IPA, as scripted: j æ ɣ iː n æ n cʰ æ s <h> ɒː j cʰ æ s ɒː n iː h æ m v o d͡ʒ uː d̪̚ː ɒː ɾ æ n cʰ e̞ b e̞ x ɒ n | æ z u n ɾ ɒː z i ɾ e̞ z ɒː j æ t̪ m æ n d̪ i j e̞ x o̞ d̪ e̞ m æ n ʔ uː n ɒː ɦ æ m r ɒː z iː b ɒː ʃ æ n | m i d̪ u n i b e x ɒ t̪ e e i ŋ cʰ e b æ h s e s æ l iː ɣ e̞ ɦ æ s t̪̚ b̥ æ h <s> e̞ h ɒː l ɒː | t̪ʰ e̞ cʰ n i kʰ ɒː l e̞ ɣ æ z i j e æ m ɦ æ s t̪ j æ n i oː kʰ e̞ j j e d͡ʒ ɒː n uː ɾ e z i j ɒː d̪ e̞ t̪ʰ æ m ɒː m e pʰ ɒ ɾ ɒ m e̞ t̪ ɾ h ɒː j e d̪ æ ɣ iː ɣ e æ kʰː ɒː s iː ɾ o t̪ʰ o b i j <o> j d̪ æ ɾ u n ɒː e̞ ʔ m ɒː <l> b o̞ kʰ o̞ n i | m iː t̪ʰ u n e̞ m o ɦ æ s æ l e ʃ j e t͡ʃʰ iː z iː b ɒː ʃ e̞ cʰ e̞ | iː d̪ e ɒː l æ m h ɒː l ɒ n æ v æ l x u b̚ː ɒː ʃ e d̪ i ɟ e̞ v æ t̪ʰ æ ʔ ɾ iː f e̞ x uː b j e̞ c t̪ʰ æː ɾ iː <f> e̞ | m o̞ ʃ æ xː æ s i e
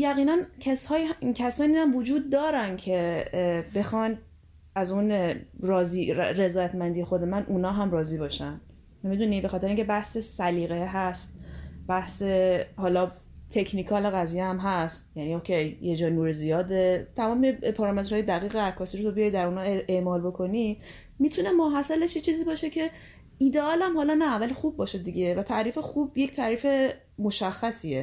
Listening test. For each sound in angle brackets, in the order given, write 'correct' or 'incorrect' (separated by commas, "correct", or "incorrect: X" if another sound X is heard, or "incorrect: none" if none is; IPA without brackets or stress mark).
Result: correct, correct, incorrect: ɒ, correct, correct